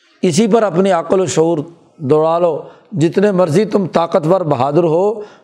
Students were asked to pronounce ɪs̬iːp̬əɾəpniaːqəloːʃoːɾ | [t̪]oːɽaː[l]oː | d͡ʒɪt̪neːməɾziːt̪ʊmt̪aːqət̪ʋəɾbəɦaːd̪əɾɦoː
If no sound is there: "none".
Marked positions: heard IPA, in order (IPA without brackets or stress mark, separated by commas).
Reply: d̪, l